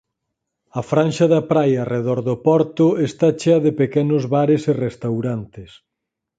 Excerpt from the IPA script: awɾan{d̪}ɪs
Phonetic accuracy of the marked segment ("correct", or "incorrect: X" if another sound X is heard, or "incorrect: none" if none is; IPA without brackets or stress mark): incorrect: t̪